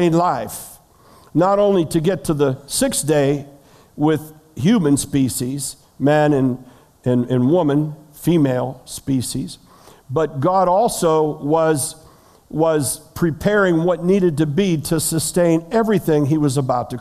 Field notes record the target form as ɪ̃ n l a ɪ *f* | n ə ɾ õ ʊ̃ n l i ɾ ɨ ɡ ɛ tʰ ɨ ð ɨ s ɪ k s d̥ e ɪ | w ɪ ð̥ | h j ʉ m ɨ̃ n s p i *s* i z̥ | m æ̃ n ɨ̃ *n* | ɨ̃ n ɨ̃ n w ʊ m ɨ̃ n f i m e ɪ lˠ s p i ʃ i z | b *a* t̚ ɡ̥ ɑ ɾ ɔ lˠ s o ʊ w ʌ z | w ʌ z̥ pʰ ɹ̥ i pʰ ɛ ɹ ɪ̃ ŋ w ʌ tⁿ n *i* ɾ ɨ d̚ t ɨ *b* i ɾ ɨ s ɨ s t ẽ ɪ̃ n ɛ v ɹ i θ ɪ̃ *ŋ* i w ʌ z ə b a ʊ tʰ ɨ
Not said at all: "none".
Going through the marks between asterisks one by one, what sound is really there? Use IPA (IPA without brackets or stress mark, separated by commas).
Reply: f, ʃ, n, ʌ, i, b, ŋ